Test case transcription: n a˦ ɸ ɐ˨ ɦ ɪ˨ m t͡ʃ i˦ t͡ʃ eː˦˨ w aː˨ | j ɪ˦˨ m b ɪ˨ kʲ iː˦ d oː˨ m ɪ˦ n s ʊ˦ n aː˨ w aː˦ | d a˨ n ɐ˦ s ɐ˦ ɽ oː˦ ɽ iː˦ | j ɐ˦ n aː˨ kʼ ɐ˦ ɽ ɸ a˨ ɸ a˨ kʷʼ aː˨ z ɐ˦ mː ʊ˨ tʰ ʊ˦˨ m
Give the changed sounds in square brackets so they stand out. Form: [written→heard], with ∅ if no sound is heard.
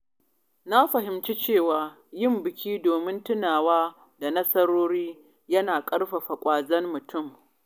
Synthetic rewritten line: n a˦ ɸ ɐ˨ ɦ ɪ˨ m t͡ʃ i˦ t͡ʃ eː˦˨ w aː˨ | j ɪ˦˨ m b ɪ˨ kʲ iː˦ d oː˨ m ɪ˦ n [s→t] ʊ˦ n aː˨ w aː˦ | d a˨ n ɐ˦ s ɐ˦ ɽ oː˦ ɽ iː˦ | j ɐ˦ n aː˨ kʼ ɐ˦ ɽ ɸ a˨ ɸ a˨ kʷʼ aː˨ z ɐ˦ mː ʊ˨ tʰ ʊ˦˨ m